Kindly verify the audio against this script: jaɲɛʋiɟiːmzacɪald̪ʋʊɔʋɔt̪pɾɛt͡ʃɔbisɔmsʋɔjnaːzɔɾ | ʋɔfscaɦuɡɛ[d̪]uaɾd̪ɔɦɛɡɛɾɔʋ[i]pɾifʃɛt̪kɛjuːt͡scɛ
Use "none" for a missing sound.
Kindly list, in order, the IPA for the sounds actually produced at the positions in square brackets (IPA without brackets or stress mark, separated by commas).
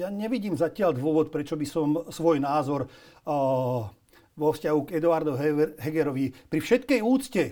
d̪, i